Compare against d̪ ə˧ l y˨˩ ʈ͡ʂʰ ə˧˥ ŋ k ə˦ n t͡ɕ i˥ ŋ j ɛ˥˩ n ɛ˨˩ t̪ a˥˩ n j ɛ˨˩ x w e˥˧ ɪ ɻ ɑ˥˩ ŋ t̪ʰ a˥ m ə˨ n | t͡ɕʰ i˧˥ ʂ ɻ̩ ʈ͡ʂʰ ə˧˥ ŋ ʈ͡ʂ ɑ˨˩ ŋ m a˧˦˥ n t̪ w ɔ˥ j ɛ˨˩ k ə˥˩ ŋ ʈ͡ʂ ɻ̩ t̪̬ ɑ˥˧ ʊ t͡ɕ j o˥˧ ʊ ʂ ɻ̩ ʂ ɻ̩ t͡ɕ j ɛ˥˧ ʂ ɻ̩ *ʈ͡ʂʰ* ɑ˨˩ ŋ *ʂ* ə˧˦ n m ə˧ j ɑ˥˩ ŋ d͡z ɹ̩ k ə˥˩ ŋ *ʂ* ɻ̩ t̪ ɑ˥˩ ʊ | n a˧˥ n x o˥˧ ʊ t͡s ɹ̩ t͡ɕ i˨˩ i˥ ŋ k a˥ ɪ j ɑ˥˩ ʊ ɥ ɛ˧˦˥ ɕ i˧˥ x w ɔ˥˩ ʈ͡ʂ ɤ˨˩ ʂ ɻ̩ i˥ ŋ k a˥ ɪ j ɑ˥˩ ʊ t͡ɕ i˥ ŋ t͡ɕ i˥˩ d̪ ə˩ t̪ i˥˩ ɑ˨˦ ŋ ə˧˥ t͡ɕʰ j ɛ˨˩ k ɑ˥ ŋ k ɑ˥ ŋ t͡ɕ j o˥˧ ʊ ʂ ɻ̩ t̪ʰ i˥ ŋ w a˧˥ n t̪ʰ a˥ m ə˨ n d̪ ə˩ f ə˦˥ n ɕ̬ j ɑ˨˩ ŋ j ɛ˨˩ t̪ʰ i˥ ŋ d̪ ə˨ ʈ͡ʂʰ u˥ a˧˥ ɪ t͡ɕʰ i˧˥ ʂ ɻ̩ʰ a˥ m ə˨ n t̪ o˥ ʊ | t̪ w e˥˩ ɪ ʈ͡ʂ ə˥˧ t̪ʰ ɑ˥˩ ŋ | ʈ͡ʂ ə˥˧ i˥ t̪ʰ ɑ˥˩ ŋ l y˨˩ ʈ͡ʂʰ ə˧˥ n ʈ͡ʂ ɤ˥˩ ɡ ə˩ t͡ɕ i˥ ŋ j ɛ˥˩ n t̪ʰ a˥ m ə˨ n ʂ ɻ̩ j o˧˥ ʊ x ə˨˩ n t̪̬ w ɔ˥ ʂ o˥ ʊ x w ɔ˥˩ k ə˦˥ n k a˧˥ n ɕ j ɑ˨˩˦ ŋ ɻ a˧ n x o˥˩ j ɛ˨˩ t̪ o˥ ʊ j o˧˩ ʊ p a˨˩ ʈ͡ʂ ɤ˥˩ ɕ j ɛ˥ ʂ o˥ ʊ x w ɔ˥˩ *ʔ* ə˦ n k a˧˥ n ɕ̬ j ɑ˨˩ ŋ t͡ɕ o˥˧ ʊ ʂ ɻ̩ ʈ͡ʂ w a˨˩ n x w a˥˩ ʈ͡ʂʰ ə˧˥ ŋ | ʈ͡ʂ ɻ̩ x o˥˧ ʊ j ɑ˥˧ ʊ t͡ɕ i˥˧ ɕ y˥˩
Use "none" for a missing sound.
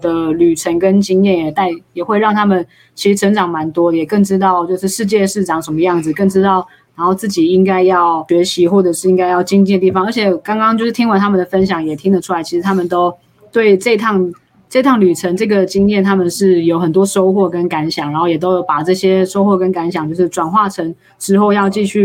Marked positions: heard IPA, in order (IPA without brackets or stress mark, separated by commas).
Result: ʈ͡ʂ, ʂ, ʈ͡ʂ, k